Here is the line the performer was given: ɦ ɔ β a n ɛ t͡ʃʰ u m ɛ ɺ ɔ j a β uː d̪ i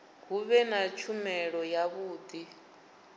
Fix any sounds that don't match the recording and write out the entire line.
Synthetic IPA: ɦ u β ɛ n a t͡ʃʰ u m ɛ ɺ ɔ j a β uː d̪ i